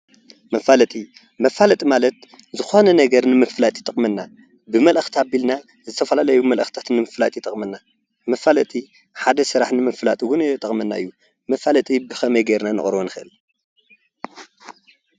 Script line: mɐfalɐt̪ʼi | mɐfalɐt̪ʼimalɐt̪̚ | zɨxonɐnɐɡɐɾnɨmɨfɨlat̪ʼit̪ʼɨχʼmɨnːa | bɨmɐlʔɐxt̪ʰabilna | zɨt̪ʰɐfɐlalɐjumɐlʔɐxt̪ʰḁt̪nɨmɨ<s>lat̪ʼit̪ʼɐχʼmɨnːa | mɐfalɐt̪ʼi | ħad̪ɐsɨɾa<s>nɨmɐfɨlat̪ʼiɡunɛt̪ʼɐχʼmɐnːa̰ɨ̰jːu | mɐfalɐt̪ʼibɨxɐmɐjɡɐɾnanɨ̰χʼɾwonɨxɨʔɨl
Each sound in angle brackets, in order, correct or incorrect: incorrect: f, incorrect: ħ

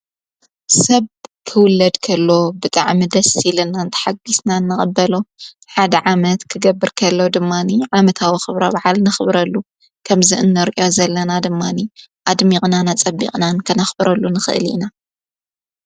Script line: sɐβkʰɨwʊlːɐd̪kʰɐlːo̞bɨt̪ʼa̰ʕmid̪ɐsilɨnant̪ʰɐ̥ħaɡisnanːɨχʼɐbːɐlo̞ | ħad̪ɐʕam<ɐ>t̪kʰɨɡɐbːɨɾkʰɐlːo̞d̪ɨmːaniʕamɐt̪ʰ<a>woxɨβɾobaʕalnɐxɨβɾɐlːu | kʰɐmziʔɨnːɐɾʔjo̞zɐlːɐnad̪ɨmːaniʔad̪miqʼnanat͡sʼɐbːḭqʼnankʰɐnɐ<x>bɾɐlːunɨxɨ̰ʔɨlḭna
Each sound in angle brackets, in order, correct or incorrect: correct, correct, correct

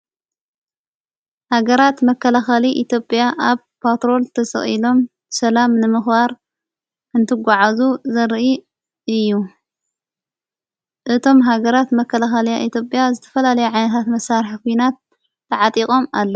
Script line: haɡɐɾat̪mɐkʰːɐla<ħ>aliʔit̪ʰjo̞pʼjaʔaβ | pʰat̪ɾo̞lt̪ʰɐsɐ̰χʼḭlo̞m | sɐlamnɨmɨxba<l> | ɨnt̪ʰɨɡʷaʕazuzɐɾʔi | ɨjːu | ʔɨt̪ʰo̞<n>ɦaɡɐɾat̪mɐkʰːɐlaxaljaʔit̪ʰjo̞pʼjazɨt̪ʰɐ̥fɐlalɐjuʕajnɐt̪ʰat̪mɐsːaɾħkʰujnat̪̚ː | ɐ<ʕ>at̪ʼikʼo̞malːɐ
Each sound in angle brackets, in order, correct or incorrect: incorrect: x, incorrect: ɾ, incorrect: m, correct

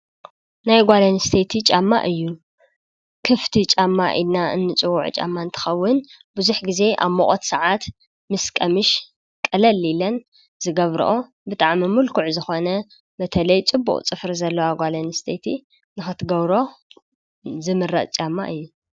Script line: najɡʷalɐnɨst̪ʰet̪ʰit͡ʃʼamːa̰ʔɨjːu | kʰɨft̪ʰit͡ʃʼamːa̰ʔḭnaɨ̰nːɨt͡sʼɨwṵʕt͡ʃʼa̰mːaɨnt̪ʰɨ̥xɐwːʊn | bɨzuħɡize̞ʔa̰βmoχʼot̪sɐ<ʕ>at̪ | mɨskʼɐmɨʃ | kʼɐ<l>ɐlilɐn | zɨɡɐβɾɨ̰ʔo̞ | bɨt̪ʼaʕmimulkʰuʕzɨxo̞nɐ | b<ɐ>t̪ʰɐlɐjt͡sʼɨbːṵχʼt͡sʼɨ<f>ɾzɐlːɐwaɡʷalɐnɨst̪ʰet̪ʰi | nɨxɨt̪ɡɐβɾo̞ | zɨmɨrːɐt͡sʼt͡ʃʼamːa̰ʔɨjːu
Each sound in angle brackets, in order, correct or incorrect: correct, correct, correct, correct

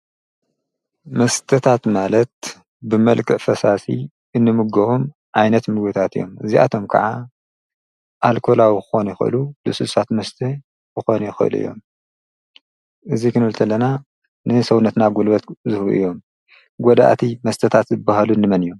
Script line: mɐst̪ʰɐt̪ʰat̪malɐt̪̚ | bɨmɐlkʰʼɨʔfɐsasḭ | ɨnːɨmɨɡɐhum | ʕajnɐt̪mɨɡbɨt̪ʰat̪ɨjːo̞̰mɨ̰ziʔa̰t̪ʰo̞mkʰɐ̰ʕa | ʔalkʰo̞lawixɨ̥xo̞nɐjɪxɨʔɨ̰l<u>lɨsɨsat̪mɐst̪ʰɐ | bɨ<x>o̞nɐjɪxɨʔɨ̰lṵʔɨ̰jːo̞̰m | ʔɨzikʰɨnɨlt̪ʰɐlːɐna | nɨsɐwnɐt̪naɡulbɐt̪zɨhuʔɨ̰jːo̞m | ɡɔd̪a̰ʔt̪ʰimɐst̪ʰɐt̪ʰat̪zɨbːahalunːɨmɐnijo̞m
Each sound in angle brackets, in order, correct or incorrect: correct, correct

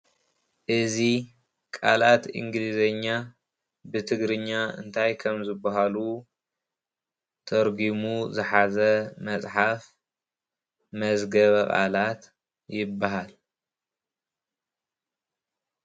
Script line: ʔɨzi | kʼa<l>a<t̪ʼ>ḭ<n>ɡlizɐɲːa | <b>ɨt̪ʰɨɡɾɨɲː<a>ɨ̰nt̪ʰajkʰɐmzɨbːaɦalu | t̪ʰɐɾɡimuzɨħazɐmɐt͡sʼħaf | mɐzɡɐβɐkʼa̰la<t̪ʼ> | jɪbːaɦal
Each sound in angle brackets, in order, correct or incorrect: correct, incorrect: t̪, incorrect: ŋ, correct, correct, incorrect: t̪

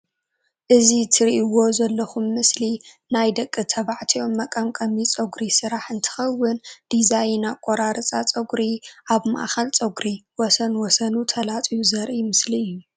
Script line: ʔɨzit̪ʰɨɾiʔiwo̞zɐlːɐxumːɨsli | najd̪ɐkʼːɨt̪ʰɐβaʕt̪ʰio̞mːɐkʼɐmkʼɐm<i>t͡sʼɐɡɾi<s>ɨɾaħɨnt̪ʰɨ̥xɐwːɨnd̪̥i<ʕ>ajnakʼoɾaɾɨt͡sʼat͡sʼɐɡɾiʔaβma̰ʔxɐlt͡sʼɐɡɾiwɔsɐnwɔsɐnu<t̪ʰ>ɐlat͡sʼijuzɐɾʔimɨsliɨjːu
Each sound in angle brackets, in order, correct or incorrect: correct, correct, incorrect: z, correct

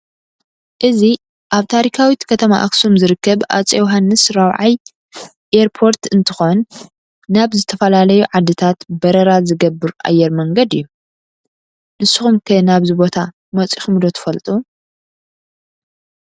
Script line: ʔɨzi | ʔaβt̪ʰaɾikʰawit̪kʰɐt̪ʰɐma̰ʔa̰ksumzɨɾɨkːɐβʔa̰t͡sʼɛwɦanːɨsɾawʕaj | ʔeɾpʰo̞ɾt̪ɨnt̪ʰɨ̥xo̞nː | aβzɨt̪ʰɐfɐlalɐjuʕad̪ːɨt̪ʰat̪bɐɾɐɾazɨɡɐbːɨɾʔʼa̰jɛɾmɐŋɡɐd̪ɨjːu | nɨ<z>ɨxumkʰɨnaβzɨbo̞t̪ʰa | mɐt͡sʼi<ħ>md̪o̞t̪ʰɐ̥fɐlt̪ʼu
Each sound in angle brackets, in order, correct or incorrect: incorrect: s, incorrect: x

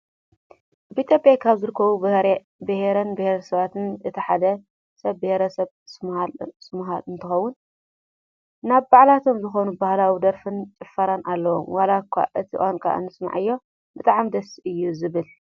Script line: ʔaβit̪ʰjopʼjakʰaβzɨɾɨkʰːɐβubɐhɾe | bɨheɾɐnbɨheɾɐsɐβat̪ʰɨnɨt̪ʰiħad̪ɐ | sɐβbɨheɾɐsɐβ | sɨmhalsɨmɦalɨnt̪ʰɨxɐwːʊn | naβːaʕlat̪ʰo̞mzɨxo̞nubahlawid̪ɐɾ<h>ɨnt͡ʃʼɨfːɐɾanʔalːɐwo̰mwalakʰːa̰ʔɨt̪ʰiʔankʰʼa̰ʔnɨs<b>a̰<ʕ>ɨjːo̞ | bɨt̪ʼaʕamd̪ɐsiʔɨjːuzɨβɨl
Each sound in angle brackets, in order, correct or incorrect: incorrect: f, incorrect: m, correct

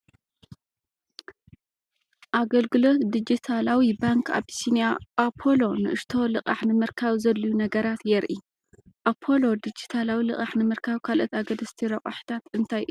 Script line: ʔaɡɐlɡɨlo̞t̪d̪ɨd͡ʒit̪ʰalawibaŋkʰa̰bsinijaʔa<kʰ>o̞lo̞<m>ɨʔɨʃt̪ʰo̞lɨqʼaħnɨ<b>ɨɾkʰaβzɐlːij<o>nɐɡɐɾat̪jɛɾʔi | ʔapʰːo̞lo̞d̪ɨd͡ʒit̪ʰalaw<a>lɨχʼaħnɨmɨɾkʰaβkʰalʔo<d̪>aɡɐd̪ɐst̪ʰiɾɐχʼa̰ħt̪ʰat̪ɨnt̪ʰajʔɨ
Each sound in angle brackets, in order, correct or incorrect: incorrect: pʰ, incorrect: n, incorrect: m, incorrect: u, incorrect: i, incorrect: t̪

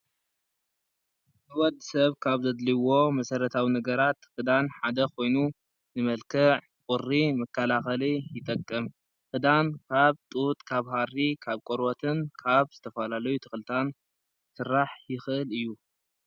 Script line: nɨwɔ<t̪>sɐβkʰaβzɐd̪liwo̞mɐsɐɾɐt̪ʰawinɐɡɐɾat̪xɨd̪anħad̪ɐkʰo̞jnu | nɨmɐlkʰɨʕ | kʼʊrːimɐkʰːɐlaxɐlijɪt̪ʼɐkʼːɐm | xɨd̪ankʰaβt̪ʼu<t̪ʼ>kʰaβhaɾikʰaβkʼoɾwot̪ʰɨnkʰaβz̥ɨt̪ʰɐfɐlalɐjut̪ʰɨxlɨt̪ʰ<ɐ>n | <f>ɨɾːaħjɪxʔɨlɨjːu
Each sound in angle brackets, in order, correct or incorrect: incorrect: d̪, correct, incorrect: a, incorrect: s

